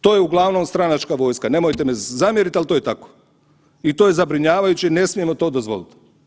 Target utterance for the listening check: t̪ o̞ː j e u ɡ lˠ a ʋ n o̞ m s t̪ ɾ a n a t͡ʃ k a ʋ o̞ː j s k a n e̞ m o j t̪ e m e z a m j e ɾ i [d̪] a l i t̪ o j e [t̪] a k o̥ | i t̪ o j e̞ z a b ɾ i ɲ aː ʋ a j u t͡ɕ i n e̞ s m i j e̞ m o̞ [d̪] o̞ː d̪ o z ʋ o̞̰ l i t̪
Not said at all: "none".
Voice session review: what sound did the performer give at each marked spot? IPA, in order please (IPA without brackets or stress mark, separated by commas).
t̪, t̪, t̪